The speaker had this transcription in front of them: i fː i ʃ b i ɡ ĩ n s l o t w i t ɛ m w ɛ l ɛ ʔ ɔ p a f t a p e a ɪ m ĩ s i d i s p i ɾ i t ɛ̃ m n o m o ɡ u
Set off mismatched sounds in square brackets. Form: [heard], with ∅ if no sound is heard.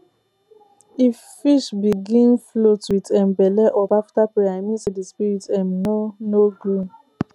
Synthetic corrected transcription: i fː i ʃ b i ɡ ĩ n [f] l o t w i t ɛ m [b] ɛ l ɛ ʔ ɔ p a f t a p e a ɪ m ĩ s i d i s p i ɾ i t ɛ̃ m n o [n] o ɡ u

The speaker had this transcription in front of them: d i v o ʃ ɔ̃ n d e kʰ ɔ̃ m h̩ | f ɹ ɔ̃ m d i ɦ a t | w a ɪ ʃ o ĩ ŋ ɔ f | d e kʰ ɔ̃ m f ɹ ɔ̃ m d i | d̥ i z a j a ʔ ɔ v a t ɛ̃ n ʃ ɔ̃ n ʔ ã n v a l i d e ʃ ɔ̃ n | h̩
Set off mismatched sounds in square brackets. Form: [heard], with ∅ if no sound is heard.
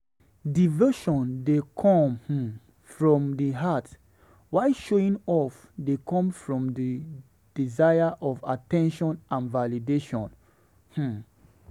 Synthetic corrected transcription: d i v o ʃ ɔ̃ n d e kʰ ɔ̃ m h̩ | f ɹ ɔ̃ m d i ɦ a t | w a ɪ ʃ o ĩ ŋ ɔ f | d e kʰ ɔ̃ m f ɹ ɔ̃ m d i | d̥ i z a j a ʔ ɔ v a t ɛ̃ n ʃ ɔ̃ n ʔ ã n v a l i d e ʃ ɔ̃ n | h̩

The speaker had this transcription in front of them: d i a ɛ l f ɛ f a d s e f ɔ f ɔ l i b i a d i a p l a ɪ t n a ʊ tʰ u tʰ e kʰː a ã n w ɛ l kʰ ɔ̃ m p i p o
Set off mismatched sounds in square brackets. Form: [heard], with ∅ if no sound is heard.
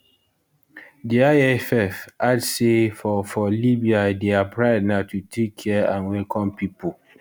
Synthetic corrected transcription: d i a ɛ [∅] f ɛ f a d s e f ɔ f ɔ l i b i a d [e] a p [ɹ] a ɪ [d] n a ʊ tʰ u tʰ e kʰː [ɛ] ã n w ɛ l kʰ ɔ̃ m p i p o

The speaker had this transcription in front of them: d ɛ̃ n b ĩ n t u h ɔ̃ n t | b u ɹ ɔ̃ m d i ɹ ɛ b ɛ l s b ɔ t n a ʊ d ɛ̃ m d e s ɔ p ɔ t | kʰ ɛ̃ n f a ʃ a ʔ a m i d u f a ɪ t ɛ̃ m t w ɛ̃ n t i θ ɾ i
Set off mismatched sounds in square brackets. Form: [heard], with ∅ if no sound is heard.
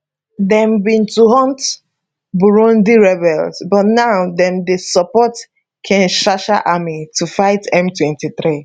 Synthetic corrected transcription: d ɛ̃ [m] b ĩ n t u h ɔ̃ n t | b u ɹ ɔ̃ [n] d i ɹ ɛ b ɛ l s b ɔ t n a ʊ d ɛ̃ m d e s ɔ p ɔ t | kʰ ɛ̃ n [ʃ] a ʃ a ʔ a m i [t] u f a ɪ t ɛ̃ m t w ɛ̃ n t i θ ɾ i

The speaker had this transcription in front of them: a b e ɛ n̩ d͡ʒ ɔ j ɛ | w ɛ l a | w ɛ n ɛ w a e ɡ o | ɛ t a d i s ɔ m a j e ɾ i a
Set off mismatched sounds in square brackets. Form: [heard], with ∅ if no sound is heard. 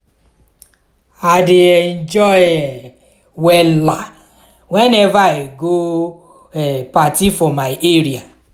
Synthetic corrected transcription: a [d] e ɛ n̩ d͡ʒ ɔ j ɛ | w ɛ l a | w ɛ n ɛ [v] a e ɡ o | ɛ [p] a [t] i [f] ɔ m a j e ɾ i a

